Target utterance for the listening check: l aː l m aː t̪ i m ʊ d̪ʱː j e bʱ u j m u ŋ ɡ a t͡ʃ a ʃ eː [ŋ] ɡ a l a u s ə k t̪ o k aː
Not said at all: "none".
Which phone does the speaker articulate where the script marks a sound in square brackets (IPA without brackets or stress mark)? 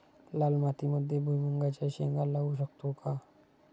ŋ